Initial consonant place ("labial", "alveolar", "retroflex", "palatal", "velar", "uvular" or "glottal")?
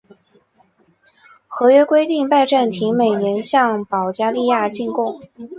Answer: velar